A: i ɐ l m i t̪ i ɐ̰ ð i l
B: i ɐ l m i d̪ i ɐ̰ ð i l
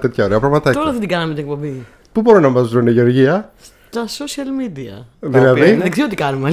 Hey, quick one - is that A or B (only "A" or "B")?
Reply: B